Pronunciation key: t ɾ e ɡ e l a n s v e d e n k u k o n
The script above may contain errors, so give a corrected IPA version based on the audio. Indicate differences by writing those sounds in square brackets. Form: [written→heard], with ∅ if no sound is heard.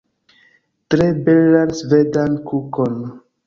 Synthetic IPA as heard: t ɾ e [ɡ→b] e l a n s v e d [e→a] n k u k o n